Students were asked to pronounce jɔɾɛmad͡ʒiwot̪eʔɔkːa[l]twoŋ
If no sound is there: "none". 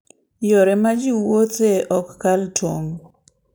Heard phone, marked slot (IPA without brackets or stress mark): l